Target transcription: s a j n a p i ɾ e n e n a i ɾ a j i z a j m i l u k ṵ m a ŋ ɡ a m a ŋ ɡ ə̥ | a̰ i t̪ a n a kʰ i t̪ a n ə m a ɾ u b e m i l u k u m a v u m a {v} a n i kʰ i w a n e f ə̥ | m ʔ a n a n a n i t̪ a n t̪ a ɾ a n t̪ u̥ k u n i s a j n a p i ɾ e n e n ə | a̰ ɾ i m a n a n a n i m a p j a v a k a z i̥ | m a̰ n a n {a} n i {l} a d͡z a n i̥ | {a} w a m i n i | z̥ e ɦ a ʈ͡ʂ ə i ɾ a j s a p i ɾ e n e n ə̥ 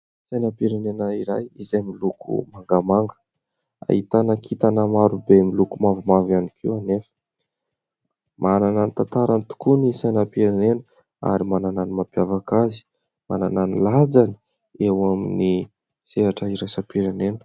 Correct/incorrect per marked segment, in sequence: correct, correct, correct, incorrect: e

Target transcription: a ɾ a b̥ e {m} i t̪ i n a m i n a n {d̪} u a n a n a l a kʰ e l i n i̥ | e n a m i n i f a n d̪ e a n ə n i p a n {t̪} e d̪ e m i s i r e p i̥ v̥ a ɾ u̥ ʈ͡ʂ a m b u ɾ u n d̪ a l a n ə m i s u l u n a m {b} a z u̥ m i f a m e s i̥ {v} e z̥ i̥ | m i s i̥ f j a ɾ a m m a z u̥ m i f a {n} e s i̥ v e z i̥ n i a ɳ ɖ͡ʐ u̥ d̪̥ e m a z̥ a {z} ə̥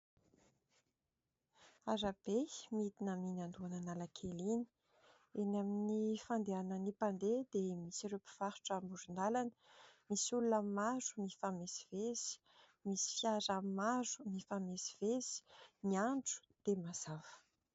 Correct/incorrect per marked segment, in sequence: correct, correct, incorrect: d̪, incorrect: m, correct, incorrect: m, incorrect: v

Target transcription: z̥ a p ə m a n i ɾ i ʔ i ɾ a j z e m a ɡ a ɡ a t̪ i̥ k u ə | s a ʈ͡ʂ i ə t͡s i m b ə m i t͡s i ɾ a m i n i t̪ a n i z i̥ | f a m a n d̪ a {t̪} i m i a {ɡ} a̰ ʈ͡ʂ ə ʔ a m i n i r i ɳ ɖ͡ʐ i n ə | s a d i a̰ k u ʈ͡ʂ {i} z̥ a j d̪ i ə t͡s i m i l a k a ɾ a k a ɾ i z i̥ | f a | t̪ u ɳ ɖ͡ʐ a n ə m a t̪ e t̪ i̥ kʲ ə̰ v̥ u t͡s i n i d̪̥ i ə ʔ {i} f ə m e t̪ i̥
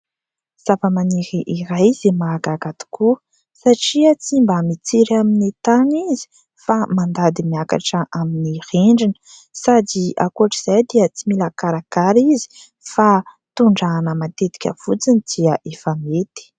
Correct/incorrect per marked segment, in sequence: incorrect: d̪, incorrect: k, correct, incorrect: e

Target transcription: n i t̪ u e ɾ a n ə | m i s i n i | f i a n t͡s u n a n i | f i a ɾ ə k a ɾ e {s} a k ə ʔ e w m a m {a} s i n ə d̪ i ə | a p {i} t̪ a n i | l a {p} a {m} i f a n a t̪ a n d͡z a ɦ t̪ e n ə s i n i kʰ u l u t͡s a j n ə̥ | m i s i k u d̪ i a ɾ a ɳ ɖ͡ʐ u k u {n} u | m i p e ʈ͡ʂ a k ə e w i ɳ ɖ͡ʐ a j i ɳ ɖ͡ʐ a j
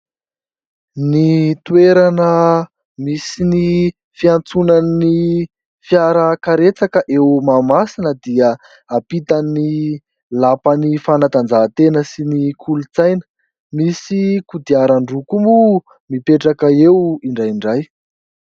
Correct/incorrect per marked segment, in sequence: incorrect: t͡s, correct, correct, correct, incorrect: n, incorrect: m

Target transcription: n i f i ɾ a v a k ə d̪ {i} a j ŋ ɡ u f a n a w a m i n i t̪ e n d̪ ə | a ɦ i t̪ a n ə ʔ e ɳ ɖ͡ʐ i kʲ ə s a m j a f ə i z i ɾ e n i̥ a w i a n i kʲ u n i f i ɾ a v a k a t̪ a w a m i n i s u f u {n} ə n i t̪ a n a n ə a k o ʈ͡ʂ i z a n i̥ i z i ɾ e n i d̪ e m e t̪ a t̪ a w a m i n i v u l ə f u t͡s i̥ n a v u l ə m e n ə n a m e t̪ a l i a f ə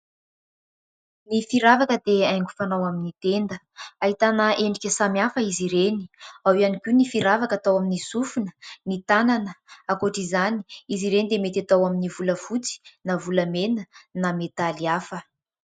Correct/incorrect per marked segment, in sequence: incorrect: e, correct

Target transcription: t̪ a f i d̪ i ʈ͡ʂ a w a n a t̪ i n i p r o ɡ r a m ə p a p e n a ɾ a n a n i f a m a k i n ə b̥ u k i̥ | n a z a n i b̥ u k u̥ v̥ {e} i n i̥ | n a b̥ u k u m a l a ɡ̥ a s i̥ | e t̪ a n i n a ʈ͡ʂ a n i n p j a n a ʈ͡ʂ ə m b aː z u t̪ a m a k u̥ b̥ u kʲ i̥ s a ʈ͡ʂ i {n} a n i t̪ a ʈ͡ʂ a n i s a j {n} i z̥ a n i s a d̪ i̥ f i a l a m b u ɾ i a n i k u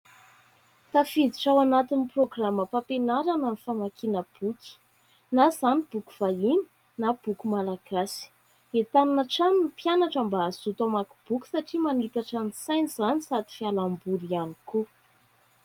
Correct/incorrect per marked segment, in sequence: incorrect: a, incorrect: m, correct

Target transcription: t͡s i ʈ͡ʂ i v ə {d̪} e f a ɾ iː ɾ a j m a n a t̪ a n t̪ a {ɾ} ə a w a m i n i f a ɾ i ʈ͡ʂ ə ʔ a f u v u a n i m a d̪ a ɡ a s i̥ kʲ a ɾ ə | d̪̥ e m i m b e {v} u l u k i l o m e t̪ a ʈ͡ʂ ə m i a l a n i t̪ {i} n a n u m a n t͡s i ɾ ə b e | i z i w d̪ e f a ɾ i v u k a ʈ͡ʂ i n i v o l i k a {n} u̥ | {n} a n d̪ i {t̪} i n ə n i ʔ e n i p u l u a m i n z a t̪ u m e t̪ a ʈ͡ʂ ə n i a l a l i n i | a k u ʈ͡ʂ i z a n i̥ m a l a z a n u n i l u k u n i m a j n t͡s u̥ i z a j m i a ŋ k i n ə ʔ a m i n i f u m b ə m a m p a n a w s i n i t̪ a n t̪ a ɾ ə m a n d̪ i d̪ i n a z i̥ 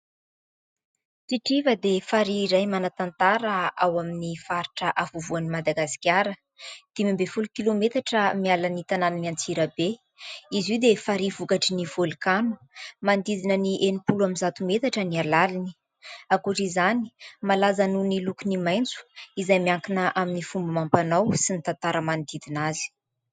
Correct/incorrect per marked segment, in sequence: correct, correct, incorrect: f, incorrect: a, correct, incorrect: m, incorrect: d̪

